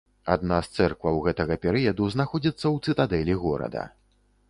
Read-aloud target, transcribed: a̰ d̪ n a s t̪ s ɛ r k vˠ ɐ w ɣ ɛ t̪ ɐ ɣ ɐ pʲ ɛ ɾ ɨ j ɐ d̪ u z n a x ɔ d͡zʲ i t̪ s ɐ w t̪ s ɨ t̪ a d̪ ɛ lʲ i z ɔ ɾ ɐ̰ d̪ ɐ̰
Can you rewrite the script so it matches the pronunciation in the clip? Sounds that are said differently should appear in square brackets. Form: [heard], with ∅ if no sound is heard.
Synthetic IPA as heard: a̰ d̪ n a s t̪ s ɛ r k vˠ ɐ w ɣ ɛ t̪ ɐ ɣ ɐ pʲ ɛ ɾ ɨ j ɐ d̪ u z n a x ɔ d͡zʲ i t̪ [sː] ɐ w t̪ s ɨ t̪ a d̪ ɛ lʲ i [ɣ] ɔ ɾ ɐ̰ d̪ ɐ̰